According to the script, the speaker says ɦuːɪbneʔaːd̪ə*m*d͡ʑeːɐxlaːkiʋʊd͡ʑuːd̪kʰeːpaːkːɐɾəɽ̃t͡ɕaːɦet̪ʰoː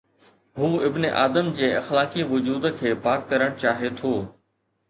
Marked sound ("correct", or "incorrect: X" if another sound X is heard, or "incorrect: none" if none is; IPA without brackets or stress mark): correct